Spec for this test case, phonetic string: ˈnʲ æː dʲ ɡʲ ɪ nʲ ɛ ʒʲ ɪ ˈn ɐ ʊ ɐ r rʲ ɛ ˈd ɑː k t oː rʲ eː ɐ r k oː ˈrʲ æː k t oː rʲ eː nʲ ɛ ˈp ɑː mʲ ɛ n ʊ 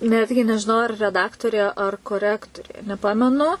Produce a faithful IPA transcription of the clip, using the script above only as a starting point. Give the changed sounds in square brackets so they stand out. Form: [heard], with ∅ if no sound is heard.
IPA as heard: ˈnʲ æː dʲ ɡʲ ɪ nʲ ɛ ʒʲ ɪ ˈn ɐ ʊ ɐ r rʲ ɛ ˈd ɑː k t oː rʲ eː ɐ r k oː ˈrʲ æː k t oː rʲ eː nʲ ɛ ˈp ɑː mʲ ɛ n ʊ